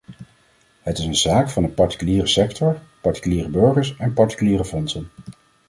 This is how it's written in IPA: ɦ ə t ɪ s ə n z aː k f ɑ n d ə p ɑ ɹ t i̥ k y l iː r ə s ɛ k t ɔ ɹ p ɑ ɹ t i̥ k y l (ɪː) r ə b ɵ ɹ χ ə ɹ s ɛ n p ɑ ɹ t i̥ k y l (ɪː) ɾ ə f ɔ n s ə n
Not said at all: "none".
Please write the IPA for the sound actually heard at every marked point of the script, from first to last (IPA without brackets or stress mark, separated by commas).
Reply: iː, iː